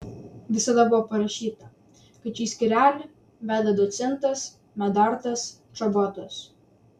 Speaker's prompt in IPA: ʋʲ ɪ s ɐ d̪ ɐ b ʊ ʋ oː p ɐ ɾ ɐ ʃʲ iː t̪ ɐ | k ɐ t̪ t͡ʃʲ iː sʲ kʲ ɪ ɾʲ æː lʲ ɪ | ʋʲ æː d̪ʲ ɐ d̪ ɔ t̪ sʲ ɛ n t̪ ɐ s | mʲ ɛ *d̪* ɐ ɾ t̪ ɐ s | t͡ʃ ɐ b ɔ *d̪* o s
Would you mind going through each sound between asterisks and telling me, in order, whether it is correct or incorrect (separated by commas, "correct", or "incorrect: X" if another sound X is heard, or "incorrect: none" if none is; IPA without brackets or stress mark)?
correct, incorrect: t̪